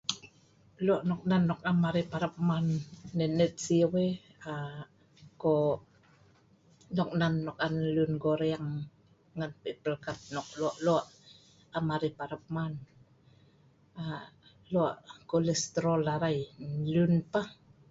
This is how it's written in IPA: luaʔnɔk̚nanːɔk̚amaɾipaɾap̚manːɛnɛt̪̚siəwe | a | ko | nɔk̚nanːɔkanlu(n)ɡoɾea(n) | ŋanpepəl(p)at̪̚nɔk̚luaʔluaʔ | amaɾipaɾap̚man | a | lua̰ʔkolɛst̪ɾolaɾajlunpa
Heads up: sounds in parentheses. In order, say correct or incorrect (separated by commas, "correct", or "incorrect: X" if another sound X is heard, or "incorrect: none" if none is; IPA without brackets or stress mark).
correct, incorrect: ŋ, incorrect: k